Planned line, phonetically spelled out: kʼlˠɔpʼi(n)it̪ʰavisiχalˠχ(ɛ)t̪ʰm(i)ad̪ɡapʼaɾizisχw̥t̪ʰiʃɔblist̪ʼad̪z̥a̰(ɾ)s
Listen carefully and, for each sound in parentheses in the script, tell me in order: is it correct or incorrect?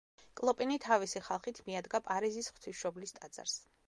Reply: correct, incorrect, correct, correct

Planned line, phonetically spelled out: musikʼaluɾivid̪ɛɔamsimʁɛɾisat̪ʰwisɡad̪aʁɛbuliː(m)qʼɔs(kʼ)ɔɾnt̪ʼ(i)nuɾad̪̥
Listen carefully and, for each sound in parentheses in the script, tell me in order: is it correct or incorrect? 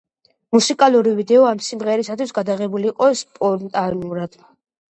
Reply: incorrect, incorrect, incorrect

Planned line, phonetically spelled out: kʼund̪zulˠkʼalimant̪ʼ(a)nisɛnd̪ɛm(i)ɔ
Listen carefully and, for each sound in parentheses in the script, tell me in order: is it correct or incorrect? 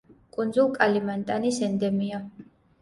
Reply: correct, correct

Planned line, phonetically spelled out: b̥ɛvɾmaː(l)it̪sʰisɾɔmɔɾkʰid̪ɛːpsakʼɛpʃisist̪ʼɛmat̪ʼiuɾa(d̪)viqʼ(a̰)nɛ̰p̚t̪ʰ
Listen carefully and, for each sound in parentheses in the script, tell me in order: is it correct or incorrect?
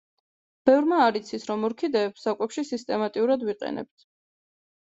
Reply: incorrect, correct, incorrect

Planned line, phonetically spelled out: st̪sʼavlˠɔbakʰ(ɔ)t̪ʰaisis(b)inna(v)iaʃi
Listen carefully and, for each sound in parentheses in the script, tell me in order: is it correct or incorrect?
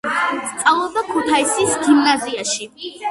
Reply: incorrect, incorrect, incorrect

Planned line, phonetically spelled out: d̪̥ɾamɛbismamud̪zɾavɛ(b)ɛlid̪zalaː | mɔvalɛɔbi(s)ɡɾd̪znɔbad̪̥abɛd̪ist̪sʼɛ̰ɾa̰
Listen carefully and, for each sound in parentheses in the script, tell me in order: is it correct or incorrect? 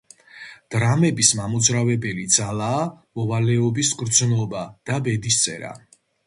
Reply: correct, correct

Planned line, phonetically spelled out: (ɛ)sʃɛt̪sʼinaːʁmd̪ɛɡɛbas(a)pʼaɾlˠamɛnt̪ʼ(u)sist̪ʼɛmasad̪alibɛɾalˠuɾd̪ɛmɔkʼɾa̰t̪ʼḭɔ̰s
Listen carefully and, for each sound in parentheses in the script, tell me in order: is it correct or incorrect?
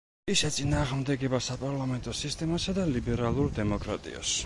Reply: incorrect, correct, incorrect

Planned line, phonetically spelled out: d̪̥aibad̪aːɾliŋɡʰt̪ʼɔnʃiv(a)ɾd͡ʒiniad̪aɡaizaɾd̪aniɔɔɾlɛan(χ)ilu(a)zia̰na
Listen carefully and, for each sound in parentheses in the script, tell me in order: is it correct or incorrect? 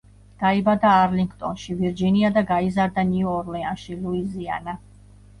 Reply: incorrect, incorrect, incorrect

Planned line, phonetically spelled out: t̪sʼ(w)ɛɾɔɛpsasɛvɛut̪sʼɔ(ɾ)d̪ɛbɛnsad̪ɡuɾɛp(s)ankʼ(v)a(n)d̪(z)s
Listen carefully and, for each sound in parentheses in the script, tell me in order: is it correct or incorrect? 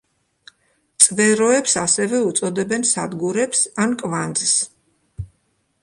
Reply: incorrect, incorrect, correct, correct, correct, correct

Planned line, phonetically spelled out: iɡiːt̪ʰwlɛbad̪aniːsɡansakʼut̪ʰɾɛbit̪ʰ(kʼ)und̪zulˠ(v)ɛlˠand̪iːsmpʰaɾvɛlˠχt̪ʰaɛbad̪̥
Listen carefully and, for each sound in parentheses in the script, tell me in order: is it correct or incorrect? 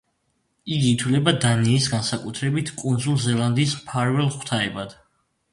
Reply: correct, incorrect

